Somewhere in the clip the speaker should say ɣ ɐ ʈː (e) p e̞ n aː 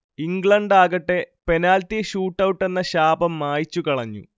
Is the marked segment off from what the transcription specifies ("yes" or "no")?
no